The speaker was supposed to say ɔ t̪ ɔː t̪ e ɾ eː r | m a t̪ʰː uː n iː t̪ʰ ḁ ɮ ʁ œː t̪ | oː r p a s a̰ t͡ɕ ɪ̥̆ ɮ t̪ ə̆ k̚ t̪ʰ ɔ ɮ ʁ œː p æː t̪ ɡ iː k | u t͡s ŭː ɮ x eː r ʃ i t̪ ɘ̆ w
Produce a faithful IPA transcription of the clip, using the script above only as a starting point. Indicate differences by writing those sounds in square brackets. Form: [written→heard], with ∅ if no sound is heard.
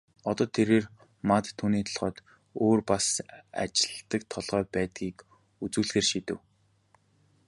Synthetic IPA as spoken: ɔ t̪ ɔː [t̪→t̪ʰ] e ɾ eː r | m a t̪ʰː uː n iː t̪ʰ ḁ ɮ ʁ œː t̪ | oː r p a s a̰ t͡ɕ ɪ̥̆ ɮ t̪ ə̆ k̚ t̪ʰ ɔ ɮ ʁ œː p æː t̪ ɡ iː k | u t͡s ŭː ɮ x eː r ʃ i t̪ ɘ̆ w